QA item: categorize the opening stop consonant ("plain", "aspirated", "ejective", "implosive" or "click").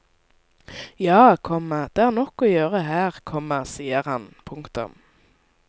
aspirated